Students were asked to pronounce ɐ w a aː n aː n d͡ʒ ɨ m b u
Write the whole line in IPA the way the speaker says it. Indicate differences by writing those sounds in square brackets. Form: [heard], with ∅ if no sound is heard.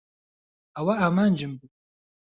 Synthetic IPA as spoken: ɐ w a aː [m] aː n d͡ʒ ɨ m b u